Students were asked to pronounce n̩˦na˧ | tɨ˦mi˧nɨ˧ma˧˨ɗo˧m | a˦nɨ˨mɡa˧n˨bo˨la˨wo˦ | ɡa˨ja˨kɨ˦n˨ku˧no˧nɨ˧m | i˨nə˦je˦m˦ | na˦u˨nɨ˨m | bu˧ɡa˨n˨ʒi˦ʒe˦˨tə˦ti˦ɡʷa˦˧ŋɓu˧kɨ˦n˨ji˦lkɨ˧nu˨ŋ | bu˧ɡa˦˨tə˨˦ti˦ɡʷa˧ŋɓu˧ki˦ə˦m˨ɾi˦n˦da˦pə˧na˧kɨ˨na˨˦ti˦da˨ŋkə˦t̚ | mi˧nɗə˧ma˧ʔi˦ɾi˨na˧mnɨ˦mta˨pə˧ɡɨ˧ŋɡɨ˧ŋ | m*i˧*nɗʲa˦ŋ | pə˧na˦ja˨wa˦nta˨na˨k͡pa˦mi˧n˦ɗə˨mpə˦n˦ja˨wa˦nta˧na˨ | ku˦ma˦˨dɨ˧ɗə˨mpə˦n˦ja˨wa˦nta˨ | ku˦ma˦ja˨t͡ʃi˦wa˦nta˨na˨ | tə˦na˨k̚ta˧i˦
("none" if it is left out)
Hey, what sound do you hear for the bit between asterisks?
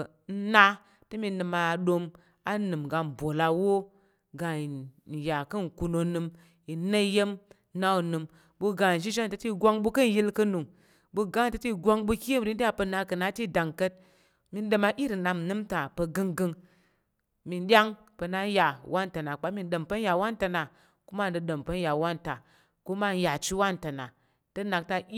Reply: i˧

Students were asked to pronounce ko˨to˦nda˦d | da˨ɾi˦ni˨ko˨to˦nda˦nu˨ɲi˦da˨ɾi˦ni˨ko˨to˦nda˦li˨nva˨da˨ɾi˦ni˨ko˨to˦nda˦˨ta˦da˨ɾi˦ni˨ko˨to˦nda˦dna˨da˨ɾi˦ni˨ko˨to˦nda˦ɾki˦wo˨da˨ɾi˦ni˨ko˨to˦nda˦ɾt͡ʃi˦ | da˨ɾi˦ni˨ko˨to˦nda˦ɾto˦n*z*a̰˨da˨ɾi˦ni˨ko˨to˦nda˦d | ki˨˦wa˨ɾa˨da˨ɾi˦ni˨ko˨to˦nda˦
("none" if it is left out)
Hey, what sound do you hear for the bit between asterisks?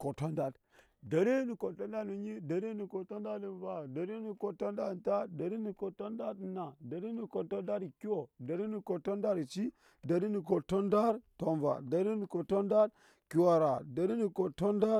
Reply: v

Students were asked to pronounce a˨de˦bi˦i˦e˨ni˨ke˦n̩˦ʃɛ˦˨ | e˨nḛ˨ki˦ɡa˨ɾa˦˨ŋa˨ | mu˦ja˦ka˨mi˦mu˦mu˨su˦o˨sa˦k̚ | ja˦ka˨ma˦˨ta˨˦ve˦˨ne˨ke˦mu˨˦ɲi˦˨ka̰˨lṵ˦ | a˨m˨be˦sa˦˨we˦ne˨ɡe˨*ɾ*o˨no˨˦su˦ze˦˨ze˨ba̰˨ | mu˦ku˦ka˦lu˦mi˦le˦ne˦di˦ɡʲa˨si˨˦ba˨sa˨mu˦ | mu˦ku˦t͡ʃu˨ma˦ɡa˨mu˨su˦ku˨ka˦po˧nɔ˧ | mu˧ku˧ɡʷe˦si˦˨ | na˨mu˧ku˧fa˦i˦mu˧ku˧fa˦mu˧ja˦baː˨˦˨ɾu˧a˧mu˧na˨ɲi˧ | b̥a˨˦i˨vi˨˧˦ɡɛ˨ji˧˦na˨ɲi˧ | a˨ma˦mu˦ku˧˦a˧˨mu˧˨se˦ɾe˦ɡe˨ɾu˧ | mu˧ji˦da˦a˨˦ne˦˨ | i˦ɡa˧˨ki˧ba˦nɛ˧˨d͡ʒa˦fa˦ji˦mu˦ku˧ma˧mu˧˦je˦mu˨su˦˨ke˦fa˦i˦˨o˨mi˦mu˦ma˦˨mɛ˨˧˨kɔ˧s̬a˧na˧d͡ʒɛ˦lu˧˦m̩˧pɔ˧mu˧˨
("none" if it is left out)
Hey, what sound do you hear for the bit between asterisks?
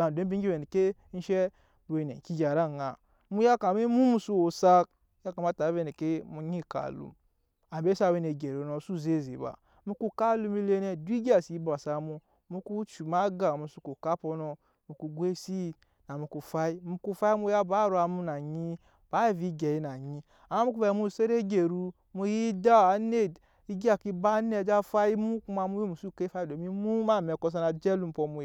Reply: ɾ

